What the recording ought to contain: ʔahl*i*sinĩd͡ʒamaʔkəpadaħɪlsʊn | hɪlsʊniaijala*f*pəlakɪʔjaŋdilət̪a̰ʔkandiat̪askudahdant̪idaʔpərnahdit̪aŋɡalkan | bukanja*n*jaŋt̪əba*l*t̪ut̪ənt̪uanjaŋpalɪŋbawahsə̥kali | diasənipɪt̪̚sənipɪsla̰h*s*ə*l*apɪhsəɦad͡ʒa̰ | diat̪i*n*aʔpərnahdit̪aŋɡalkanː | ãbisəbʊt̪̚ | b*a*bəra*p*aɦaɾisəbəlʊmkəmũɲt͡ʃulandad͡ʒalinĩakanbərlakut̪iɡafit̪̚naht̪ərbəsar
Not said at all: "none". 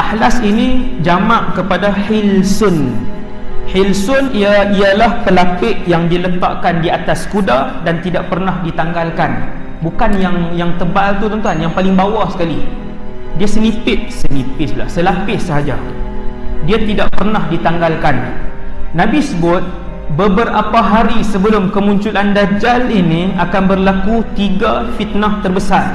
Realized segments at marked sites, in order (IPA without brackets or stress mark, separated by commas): a, h, ŋ, l, s, l, d, ə, p